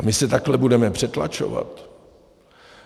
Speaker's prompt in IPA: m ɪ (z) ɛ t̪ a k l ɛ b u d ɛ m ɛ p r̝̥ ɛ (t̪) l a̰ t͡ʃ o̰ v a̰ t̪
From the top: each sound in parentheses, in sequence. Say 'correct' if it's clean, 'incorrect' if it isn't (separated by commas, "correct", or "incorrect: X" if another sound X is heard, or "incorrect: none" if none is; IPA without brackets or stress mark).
incorrect: s, correct